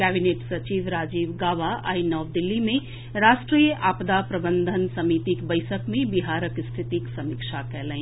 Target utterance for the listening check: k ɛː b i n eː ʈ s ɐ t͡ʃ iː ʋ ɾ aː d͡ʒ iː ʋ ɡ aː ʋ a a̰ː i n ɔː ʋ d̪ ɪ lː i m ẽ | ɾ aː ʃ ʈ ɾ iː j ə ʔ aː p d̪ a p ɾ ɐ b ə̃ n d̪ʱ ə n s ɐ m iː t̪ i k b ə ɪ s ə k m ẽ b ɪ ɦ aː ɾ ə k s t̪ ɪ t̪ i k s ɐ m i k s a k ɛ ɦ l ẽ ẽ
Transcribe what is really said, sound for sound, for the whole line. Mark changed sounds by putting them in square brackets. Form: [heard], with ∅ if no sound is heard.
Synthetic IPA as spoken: k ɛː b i n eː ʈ s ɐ t͡ʃ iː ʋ ɾ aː d͡ʒ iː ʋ ɡ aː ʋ a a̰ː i n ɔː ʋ d̪ ɪ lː i m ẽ | ɾ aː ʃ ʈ ɾ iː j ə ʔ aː p d̪ a p ɾ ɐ b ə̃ n d̪ʱ ə n s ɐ m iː t̪ i k b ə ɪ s ə k m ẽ b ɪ ɦ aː ɾ ə k s [t̪ʰ] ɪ t̪ i k s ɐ m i k [ʃ] a k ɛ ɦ l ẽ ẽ

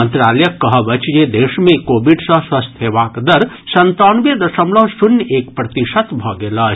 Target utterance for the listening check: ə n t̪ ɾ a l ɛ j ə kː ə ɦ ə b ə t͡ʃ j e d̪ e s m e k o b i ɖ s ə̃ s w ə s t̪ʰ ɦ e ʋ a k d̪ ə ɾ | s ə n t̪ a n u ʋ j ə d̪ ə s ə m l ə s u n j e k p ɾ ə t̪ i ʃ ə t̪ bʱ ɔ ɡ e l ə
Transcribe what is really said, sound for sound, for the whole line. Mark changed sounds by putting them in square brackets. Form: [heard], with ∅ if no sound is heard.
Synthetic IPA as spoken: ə n t̪ ɾ a l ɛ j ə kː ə ɦ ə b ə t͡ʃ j e d̪ e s m e k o b i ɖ s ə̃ s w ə s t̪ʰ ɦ e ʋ a k d̪ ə ɾ | s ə n t̪ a n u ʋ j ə d̪ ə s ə m l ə s u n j e k p ɾ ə t̪ i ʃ ə t̪ bʱ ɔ ɡ e l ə

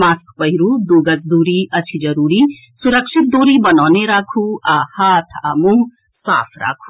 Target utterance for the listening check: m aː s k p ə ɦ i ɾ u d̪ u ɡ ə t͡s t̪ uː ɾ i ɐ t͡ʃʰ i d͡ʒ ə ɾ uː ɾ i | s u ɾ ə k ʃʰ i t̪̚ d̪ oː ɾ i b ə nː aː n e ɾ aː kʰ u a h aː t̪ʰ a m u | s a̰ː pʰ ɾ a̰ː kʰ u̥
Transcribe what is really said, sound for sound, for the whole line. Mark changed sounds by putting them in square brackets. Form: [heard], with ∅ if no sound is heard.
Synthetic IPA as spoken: m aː s k p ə ɦ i ɾ u d̪ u ɡ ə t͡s [d̪] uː ɾ i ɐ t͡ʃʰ i d͡ʒ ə ɾ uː ɾ i | s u ɾ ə k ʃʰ i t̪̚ d̪ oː ɾ i b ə [n] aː n e ɾ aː kʰ u a h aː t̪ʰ a m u | s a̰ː pʰ ɾ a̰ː kʰ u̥

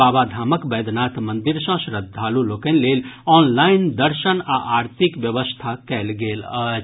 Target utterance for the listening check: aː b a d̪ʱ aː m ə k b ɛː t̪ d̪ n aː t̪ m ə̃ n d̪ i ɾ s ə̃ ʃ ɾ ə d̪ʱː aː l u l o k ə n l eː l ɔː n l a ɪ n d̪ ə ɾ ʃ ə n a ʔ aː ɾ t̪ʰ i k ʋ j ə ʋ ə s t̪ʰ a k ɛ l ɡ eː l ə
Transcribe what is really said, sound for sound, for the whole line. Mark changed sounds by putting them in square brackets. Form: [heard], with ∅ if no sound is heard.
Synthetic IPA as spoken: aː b a d̪ʱ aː m ə k b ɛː [∅] d̪ n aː t̪ m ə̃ n d̪ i ɾ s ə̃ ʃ ɾ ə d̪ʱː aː l u l o k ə n l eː l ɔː n l a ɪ n d̪ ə ɾ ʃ ə n a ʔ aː ɾ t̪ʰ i k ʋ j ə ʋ ə s t̪ʰ a k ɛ l ɡ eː l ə

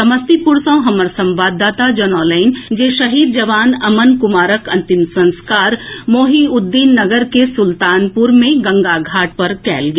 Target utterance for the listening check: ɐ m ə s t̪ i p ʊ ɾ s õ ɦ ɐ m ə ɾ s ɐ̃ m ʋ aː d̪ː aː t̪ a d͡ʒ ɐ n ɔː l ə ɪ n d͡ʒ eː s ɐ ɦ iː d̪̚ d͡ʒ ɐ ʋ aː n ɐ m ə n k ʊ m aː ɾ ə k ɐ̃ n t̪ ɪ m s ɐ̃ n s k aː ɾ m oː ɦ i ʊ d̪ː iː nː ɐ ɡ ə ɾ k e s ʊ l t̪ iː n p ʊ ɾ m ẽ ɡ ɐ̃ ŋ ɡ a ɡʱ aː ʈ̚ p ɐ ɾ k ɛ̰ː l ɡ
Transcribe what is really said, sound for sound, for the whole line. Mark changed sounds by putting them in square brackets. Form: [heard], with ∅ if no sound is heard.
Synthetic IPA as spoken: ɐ m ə s t̪ i p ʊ ɾ s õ ɦ ɐ m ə ɾ s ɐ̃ m ʋ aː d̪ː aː t̪ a d͡ʒ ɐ n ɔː l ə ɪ n d͡ʒ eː [ʃ] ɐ ɦ iː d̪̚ d͡ʒ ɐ ʋ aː n ɐ m ə n k ʊ m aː ɾ ə k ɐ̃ n t̪ ɪ m s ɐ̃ n s k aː ɾ m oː ɦ i ʊ d̪ː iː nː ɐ ɡ ə ɾ k e s ʊ l t̪ [aː] n p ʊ ɾ m ẽ ɡ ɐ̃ ŋ ɡ a ɡʱ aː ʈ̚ p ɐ ɾ k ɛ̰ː l ɡ

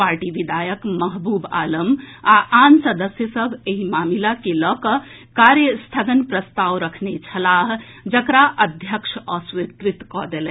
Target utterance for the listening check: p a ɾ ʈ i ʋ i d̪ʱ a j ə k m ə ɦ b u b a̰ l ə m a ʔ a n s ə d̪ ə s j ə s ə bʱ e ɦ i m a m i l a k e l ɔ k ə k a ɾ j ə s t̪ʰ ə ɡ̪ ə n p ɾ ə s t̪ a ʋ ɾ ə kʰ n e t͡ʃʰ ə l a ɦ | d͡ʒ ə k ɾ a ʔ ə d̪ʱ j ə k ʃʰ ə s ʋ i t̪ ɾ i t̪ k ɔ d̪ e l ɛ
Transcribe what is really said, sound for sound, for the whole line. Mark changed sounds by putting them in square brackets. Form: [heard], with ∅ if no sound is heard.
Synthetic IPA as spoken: p a ɾ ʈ i ʋ i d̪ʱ a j ə k m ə ɦ b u b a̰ l ə m a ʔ a n s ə d̪ ə s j ə s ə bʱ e ɦ i m a m i l a k e l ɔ k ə k a ɾ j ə s t̪ʰ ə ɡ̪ ə n p ɾ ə s t̪ a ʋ ɾ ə kʰ n e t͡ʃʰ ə l a ɦ | d͡ʒ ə k ɾ a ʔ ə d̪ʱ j ə k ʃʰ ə s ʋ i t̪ ɾ i t̪ k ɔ d̪ e l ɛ

